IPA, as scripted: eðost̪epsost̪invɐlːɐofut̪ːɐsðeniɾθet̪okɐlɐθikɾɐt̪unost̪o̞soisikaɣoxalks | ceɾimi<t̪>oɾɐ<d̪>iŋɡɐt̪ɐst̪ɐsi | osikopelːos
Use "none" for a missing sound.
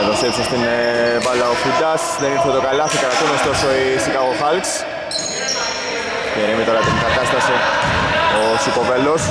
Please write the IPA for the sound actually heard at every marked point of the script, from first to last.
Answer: t̪, t̪

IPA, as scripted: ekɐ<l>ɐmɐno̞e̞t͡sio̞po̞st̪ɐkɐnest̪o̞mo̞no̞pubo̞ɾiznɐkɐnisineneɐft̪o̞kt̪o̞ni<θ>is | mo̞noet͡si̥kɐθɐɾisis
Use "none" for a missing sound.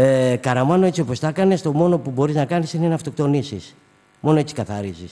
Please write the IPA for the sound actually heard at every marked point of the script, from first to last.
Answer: ɾ, s

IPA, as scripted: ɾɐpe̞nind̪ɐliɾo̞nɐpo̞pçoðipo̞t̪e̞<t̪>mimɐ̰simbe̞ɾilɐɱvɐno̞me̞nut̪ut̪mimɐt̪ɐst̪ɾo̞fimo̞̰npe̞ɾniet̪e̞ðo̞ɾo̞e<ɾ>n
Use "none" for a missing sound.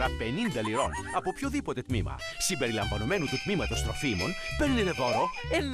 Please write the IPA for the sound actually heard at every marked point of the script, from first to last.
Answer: t̪, none

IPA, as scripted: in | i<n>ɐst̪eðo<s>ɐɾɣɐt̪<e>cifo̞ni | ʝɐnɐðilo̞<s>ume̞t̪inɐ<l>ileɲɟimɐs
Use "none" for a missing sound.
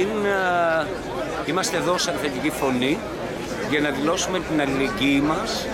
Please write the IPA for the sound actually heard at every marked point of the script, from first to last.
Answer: m, s, i, s, l

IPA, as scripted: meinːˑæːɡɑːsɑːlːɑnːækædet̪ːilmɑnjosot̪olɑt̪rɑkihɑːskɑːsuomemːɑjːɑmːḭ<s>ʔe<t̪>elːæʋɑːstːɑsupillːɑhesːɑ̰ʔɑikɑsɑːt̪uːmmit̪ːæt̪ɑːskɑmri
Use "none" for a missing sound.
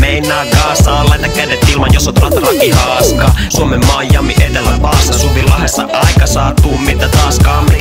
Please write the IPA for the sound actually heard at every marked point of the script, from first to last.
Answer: none, t̪

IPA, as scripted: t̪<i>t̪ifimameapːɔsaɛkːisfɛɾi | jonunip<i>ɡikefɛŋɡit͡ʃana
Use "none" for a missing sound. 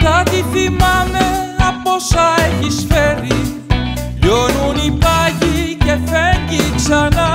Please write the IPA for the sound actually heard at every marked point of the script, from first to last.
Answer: a, a

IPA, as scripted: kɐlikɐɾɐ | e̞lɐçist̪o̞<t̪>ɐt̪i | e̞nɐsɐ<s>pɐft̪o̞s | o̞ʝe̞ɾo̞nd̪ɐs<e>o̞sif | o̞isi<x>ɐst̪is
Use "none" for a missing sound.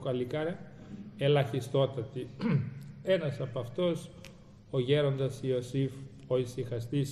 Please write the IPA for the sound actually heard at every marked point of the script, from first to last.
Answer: t̪, none, i, x

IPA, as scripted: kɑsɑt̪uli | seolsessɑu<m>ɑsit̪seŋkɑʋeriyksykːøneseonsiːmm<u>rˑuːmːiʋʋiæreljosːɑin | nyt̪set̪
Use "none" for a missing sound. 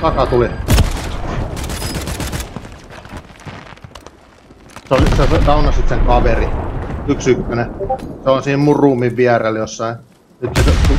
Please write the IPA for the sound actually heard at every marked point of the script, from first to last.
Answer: n, u

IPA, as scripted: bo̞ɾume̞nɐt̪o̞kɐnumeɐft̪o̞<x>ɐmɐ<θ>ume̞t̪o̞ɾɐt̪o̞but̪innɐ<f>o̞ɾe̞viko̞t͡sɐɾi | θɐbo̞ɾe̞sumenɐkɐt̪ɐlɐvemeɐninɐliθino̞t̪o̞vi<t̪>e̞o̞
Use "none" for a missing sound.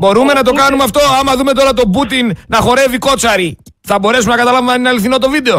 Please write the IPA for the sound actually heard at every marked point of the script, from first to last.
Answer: none, ð, x, d̪

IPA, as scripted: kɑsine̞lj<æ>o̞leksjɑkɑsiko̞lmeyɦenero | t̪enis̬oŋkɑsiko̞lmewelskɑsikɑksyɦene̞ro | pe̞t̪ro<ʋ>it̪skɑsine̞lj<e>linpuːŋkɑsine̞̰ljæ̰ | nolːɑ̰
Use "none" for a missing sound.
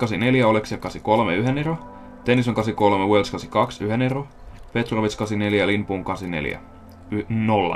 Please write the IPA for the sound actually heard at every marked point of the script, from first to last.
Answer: æ, ʋ, æ

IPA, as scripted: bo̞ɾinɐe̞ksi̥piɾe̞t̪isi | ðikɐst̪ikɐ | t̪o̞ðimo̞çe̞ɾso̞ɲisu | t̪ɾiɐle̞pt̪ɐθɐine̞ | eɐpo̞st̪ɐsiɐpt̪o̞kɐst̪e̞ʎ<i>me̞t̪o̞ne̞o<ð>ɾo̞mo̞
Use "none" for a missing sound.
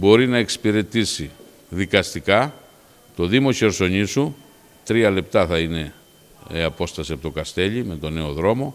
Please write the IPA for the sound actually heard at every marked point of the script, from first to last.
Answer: i, ð

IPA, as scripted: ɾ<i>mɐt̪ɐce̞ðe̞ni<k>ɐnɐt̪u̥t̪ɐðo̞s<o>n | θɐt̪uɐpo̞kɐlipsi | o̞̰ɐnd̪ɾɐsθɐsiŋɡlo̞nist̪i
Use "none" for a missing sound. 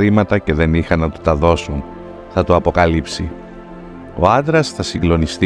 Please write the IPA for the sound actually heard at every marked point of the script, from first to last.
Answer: i, x, u

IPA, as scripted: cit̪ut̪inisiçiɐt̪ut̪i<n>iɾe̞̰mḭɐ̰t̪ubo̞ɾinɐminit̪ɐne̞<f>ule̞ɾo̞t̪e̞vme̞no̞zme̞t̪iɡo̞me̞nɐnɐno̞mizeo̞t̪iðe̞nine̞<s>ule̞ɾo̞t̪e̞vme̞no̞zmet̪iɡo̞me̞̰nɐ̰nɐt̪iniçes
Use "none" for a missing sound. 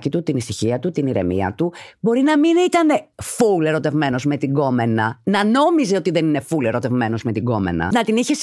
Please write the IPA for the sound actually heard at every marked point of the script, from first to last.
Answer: n, f, f

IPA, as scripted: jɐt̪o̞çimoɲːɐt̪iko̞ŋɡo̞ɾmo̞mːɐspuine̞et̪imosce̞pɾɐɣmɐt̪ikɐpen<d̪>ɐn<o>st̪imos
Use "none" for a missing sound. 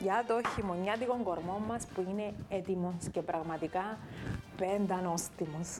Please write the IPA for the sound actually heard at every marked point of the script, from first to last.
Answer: d̪, o

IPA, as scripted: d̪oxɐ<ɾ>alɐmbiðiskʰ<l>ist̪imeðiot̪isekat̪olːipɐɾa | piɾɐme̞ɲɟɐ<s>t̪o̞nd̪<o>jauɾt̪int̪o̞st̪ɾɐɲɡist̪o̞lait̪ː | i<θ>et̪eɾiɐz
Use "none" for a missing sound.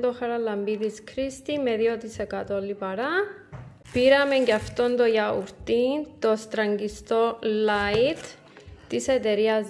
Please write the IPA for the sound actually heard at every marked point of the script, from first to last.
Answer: ɾ, ɾ, f, o, s

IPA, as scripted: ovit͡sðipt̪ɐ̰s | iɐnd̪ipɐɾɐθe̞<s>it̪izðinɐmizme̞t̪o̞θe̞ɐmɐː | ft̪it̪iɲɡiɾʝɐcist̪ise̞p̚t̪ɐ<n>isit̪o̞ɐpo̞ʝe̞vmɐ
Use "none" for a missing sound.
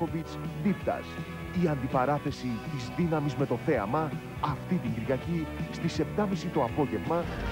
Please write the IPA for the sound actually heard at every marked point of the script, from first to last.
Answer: s, m

